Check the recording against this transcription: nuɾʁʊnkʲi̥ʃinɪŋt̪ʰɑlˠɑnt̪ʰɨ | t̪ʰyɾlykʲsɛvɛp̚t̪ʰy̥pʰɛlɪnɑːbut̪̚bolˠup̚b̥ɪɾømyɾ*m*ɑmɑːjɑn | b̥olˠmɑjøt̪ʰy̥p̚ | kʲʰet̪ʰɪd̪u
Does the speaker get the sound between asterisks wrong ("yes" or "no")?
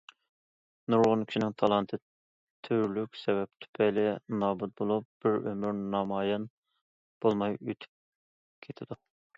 yes